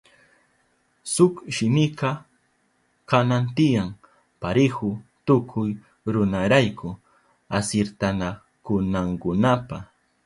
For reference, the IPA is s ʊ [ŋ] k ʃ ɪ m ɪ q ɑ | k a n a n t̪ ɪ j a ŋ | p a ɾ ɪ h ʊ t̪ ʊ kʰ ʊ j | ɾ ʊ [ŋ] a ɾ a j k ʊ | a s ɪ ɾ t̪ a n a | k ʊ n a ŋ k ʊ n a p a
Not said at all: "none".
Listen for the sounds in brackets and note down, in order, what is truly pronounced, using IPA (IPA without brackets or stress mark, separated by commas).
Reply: none, n